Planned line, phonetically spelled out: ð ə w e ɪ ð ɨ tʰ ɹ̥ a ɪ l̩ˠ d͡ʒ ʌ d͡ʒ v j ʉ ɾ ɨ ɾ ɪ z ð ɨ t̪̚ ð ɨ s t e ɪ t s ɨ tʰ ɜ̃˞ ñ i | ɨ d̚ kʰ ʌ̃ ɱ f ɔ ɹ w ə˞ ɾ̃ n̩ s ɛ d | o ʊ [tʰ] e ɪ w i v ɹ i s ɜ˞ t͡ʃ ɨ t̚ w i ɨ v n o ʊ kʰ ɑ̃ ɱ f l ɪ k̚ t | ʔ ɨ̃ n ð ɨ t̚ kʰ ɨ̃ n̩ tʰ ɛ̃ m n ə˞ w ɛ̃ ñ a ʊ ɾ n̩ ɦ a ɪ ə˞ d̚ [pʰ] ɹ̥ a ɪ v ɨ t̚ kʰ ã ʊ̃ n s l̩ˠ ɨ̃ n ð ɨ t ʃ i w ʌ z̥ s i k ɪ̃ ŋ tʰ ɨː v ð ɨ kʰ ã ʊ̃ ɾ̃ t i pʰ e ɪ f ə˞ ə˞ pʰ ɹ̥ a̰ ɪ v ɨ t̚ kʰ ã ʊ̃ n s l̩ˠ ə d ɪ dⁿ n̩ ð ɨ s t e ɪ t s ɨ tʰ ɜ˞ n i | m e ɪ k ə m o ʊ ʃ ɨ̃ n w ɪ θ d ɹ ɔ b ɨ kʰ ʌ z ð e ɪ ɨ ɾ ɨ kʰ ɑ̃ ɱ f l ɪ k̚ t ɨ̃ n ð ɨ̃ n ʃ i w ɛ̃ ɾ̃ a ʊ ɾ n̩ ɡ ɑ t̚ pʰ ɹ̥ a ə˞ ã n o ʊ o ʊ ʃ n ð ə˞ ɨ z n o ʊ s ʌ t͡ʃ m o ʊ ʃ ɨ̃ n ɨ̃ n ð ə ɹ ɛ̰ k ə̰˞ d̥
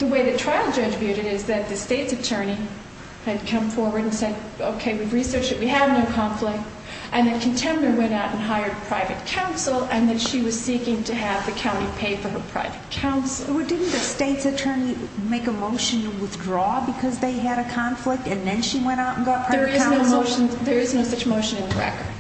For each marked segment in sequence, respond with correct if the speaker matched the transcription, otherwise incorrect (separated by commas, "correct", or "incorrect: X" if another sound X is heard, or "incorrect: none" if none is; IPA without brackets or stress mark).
incorrect: kʰ, correct